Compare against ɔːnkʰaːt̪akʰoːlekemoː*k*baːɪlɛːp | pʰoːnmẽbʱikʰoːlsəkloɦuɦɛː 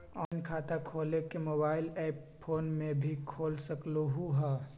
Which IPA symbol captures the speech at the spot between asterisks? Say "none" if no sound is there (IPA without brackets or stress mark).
none